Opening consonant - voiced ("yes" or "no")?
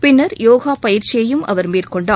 no